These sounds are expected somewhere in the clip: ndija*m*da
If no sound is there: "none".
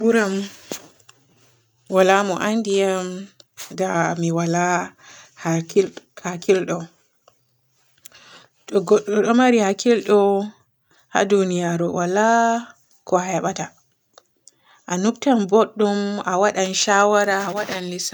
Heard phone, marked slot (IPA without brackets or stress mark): m